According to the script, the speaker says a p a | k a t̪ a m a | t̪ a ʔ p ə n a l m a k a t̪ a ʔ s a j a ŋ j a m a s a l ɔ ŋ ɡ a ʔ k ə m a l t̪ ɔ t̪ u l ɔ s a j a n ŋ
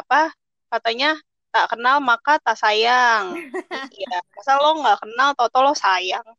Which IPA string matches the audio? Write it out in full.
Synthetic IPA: a p a | k a t̪ a ɲ a | t̪ a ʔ k ə n a l m a k a t̪ a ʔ s a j a ŋ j a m a s a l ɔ ŋ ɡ a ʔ k ə n a l t̪ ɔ t̪ ɔ l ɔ s a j a ŋ